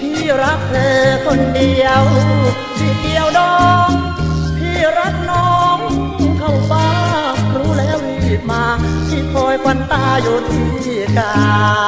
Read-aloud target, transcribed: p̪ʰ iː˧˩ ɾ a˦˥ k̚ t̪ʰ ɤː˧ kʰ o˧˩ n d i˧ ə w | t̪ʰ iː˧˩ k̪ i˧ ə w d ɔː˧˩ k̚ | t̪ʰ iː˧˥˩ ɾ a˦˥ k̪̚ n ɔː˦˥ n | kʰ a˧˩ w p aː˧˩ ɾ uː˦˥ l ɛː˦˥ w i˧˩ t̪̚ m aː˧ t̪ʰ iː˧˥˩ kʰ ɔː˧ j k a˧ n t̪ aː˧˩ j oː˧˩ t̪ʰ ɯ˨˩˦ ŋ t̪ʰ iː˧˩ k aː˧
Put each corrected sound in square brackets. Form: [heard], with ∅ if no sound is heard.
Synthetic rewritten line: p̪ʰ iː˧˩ ɾ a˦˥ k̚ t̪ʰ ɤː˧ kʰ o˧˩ n d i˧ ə w | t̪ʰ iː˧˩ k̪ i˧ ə w d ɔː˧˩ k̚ | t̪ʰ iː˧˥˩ ɾ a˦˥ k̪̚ n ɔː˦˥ [ŋ] | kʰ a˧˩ w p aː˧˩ ɾ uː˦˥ l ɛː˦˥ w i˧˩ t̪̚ m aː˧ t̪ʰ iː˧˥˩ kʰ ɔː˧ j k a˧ n t̪ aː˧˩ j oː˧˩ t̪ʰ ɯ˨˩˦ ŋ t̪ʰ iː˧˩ k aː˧